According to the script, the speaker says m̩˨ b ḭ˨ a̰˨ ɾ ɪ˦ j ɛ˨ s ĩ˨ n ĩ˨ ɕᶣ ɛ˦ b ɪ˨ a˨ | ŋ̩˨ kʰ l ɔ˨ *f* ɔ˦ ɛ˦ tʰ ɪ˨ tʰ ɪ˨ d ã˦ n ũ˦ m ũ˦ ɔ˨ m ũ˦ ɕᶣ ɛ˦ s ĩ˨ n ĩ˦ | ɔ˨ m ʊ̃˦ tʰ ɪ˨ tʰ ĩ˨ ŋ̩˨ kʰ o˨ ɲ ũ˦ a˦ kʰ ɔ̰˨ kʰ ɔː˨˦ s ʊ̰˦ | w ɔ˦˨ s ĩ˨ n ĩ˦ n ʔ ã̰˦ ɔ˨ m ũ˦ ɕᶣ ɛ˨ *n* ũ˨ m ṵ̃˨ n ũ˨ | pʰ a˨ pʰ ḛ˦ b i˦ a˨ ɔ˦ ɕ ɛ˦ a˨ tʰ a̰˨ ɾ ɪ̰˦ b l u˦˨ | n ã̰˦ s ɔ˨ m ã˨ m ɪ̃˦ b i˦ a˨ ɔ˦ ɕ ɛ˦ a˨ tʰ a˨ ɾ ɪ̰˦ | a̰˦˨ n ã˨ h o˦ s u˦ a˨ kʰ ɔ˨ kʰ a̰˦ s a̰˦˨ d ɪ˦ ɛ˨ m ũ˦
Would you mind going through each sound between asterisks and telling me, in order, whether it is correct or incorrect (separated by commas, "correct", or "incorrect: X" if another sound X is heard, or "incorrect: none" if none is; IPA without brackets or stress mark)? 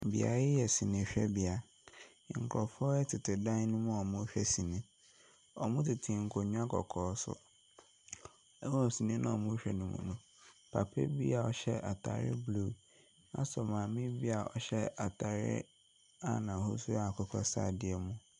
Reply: correct, correct